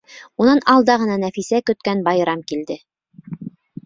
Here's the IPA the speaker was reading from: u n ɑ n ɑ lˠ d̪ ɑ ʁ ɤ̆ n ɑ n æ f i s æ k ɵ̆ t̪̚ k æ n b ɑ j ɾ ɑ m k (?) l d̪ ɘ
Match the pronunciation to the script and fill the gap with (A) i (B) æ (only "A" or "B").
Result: A